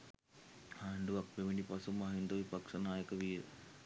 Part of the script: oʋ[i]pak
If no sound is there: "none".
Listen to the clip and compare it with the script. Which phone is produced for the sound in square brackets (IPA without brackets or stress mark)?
i